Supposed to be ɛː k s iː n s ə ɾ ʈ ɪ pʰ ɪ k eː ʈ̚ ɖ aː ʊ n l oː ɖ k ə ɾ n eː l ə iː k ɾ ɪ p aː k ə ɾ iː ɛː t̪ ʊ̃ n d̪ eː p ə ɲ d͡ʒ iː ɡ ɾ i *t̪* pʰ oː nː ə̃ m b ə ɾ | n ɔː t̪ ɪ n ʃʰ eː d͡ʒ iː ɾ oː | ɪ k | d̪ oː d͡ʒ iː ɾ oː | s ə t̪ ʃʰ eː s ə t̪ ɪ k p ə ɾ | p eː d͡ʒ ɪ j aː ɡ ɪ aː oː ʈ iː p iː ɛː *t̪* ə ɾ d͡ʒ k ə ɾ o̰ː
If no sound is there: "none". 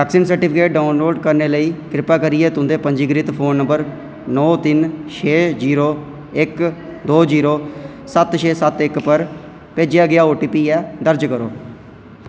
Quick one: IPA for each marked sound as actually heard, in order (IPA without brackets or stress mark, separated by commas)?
t̪, d̪